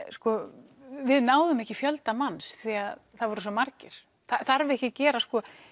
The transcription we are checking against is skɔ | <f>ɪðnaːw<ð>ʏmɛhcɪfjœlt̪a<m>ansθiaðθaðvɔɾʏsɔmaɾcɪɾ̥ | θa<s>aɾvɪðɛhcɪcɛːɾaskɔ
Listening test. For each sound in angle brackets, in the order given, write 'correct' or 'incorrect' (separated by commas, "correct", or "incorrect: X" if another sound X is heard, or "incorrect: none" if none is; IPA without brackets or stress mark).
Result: incorrect: v, correct, correct, incorrect: θ